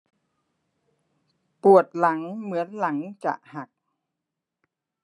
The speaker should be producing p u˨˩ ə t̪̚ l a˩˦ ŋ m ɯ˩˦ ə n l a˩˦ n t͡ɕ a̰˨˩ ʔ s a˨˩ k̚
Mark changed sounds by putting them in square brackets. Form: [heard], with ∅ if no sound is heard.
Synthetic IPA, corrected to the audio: p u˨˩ ə t̪̚ l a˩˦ ŋ m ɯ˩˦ ə n l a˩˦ [ŋ] t͡ɕ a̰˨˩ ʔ [h] a˨˩ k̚